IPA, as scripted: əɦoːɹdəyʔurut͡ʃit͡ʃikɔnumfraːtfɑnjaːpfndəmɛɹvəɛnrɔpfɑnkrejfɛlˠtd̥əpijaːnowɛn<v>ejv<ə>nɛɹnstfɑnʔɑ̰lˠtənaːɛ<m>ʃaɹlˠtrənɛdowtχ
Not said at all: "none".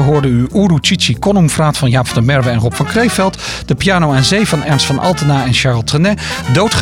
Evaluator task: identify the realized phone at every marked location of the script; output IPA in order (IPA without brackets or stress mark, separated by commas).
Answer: z, ɑ, n